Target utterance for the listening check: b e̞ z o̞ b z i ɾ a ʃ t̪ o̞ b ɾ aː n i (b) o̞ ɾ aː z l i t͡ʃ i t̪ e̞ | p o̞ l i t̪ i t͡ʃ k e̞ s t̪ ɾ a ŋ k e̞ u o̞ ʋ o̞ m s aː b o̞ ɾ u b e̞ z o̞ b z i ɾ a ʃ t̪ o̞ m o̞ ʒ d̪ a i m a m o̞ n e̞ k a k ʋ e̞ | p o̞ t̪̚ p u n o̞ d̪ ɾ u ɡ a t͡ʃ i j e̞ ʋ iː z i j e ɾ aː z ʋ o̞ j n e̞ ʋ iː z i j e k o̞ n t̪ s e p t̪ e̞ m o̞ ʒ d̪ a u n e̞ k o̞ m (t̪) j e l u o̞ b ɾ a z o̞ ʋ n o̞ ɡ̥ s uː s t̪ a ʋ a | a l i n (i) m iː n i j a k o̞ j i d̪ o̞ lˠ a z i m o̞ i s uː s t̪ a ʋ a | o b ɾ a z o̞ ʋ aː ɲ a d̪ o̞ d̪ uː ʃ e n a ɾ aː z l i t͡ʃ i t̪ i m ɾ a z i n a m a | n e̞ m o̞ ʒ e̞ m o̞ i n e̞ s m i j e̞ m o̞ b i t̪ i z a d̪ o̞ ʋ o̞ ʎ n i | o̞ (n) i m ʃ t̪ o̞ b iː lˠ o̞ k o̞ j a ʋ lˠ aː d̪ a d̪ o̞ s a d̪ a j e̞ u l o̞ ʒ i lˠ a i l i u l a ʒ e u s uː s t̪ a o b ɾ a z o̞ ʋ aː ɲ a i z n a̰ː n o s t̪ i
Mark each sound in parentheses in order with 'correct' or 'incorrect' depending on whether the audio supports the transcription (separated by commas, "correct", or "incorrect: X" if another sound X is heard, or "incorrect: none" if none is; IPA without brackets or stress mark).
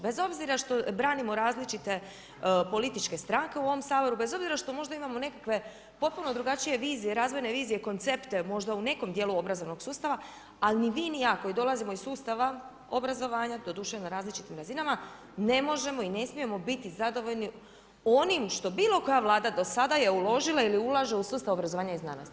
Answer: incorrect: m, incorrect: d̪, correct, correct